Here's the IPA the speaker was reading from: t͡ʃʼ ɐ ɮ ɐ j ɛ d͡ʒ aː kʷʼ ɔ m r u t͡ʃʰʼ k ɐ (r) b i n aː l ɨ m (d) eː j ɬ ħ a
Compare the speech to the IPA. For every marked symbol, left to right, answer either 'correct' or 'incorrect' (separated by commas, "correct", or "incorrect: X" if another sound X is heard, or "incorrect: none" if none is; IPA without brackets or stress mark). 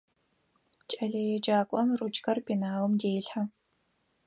correct, correct